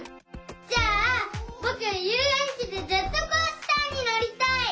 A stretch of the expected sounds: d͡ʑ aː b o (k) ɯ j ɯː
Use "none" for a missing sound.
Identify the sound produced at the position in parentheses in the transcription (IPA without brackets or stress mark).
k